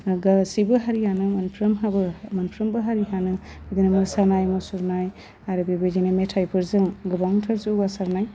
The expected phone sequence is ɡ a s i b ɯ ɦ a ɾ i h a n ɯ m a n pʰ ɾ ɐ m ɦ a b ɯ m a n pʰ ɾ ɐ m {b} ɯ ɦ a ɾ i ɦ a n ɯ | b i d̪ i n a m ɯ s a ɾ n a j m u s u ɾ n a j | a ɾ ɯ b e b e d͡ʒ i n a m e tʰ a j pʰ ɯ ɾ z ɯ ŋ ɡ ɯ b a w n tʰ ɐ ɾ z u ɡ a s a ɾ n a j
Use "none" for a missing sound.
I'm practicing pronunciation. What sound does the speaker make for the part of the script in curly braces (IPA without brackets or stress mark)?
b